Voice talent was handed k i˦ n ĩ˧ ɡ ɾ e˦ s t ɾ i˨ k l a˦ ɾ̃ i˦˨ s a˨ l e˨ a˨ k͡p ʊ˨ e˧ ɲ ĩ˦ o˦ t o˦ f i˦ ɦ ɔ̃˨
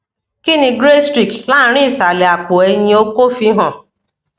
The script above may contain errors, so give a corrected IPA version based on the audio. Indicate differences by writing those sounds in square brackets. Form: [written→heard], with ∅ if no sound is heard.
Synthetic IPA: k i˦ n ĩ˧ ɡ ɾ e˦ s t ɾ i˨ k l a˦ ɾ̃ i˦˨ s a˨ l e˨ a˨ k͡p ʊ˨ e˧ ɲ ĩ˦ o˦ [t→k] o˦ f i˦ ɦ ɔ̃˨